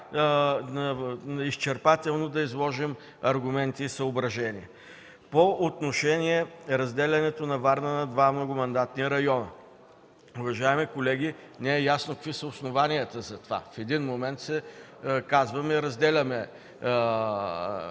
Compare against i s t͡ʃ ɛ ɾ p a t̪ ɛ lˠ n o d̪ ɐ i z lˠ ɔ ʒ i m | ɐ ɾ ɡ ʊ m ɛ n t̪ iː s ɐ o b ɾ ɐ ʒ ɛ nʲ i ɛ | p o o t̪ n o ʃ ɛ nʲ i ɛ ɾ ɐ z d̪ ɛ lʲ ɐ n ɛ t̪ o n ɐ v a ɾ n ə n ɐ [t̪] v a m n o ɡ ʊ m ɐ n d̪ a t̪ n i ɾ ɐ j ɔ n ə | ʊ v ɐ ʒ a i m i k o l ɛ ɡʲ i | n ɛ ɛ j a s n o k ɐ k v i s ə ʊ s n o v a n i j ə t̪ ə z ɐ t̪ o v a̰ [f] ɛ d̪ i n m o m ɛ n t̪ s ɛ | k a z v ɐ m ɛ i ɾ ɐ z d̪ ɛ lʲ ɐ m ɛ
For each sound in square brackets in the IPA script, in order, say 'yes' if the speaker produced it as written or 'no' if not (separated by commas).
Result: no, yes